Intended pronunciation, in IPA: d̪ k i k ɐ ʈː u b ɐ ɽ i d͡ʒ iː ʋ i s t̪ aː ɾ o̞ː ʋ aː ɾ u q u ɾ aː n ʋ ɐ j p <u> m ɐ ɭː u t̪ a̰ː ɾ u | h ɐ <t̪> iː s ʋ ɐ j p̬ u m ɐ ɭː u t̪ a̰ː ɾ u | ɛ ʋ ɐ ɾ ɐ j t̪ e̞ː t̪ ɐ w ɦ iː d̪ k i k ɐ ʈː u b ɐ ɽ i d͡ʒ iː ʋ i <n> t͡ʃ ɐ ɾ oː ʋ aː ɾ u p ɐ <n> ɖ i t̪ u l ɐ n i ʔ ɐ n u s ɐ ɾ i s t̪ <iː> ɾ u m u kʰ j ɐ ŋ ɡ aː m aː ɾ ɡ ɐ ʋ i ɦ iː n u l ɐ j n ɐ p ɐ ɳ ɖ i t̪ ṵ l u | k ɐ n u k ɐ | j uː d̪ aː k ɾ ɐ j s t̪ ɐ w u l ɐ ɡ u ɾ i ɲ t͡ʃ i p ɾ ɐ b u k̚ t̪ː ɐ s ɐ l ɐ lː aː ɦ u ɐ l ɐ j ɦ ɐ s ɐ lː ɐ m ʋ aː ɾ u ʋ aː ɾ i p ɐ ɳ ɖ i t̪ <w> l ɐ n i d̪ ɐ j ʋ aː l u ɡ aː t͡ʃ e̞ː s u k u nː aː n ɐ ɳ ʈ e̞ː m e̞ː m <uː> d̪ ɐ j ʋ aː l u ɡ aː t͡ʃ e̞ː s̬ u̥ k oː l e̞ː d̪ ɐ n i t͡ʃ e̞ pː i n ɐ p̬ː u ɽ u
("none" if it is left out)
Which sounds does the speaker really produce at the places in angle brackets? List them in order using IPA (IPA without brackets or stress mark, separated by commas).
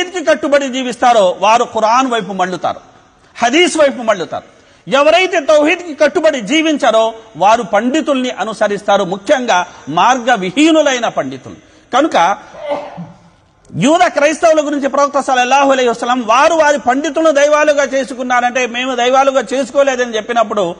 u, d̪, ɲ, ɳ, aː, u, u